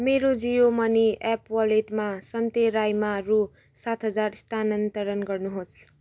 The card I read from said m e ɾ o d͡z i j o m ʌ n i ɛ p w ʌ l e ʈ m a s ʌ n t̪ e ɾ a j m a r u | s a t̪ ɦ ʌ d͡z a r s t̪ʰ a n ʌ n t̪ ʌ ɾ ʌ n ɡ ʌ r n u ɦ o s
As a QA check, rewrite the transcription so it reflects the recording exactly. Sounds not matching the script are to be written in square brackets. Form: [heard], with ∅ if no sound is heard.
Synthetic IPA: m e ɾ o d͡z i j o m ʌ n i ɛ p w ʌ l e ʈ m a s ʌ n t̪ e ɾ a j m a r u | s a t̪ ɦ ʌ d͡z a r s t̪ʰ a n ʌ n t̪ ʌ ɾ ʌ n ɡ ʌ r n u ɦ o s